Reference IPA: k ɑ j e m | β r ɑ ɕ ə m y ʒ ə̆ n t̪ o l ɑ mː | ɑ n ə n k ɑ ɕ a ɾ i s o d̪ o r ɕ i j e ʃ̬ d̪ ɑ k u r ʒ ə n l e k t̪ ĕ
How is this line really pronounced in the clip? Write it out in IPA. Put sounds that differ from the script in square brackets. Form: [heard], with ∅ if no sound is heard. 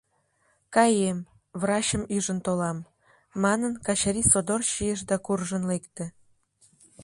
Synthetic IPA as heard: k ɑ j e m | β r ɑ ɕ ə m y ʒ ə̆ n t̪ o l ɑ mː | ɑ n ə n k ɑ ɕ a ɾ i s o d̪ o r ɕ i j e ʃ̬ d̪ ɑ k u r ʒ ə n l e k t̪ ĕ